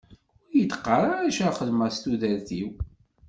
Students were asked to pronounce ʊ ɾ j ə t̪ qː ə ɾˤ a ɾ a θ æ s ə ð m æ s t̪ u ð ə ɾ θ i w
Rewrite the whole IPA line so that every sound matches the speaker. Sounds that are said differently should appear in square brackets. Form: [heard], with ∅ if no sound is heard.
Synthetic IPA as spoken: ʊ ɾ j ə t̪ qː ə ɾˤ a ɾ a [ʃ] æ [χ] ə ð m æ s t̪ u ð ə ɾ θ i w